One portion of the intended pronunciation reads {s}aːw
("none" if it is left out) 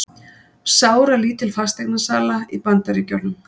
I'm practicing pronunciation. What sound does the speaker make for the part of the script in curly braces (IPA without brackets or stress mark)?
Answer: s